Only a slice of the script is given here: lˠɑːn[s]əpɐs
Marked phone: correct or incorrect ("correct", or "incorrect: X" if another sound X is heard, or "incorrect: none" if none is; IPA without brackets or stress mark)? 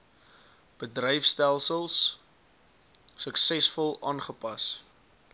incorrect: χ